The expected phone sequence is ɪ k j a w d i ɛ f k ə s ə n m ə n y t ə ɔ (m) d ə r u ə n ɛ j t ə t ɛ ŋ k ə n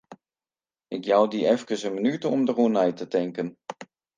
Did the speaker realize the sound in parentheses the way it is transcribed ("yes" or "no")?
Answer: yes